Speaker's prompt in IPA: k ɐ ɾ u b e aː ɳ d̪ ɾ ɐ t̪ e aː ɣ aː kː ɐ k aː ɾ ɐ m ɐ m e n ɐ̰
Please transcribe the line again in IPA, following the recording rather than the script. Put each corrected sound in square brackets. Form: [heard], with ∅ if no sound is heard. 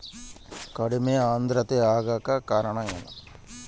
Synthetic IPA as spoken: k ɐ [ɽ] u [m] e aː [n] d̪ ɾ ɐ t̪ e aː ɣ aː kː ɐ k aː ɾ ɐ [ɳ] ɐ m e n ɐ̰